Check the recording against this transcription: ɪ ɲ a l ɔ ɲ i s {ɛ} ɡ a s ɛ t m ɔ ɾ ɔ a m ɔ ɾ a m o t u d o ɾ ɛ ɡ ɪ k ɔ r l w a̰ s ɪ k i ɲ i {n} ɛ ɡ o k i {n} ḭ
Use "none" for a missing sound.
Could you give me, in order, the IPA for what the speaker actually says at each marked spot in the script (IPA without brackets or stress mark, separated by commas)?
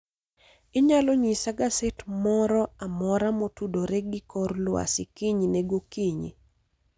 a, n, ɲ